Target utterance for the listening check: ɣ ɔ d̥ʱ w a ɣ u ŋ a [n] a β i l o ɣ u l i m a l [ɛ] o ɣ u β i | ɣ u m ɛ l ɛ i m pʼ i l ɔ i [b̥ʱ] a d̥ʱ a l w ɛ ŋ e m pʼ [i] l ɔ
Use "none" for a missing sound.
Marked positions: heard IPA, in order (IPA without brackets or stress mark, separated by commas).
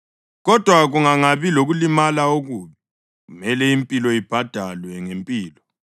ŋ, a, b̥ʱ, iː